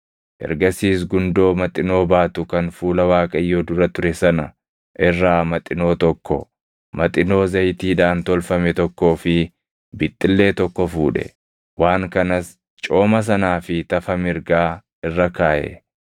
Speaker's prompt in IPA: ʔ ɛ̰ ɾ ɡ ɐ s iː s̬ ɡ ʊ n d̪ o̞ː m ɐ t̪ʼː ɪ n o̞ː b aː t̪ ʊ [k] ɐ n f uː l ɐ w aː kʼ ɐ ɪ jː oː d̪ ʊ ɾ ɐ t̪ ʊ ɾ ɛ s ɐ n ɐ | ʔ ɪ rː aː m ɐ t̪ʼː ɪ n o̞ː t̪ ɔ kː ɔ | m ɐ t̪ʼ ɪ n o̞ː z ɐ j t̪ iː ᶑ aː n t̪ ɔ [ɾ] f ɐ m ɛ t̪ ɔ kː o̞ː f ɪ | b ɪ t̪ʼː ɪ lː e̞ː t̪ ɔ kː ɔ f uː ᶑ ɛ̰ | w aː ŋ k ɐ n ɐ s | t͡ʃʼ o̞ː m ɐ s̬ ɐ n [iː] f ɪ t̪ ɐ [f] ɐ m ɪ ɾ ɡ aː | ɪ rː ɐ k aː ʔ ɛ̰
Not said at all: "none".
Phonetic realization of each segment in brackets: k, l, aː, f

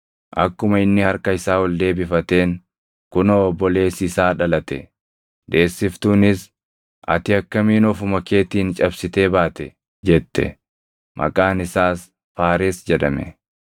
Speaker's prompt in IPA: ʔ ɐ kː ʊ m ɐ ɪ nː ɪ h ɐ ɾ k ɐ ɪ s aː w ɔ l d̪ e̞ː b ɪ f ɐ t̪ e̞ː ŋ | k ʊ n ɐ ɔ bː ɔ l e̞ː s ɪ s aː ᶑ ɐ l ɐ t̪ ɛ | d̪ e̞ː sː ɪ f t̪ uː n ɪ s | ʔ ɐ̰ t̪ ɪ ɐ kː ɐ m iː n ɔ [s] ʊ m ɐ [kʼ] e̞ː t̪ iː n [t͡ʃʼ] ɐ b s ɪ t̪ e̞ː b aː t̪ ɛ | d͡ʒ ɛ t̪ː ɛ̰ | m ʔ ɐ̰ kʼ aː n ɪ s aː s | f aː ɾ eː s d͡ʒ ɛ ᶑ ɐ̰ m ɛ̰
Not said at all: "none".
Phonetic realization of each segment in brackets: f, k, t͡ʃʼ

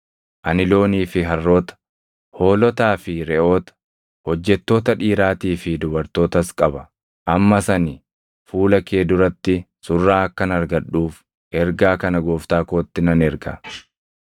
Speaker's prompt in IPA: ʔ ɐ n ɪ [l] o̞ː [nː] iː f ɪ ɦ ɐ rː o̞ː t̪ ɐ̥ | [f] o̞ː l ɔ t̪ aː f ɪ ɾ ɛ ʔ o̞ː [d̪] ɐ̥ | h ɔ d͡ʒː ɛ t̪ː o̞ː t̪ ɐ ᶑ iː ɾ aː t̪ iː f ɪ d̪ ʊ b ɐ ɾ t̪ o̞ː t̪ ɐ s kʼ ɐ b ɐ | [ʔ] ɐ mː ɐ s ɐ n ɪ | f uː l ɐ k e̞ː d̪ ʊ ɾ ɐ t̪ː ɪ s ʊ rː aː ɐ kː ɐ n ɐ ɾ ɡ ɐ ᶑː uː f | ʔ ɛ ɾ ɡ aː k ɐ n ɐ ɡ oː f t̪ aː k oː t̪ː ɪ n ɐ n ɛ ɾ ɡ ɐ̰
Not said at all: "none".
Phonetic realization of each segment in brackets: l, n, h, t̪, ʔ

